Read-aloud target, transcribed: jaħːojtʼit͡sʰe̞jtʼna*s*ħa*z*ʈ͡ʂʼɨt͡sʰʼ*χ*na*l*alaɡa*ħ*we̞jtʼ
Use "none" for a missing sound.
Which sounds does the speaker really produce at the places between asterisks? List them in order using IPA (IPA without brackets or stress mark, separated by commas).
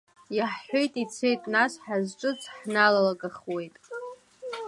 s, z, ħ, l, χ